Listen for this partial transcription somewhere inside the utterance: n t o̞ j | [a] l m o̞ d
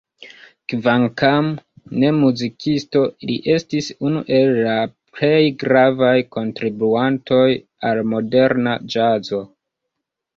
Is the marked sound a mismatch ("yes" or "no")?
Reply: no